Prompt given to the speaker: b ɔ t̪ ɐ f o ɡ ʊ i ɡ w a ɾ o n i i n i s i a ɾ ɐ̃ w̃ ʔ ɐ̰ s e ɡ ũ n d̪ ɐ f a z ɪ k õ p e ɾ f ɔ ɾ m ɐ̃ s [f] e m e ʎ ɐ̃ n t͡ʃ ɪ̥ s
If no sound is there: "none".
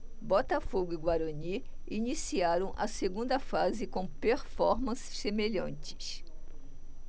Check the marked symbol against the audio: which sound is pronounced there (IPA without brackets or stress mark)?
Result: s